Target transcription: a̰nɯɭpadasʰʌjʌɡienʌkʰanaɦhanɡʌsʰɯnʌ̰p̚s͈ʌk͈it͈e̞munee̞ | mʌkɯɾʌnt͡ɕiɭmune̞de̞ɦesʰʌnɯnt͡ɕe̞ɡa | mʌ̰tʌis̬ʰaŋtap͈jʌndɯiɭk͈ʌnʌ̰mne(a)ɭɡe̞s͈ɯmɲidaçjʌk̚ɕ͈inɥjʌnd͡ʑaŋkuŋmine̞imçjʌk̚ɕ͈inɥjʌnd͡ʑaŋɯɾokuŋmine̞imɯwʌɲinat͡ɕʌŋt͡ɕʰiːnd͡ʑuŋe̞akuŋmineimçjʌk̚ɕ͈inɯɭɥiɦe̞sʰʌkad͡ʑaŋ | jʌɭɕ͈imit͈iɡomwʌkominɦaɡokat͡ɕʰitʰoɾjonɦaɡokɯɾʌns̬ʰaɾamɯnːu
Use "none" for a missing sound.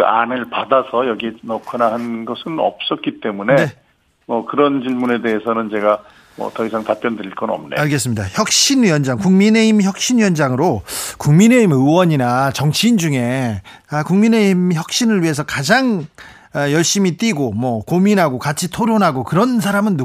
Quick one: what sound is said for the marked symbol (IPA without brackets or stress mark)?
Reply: a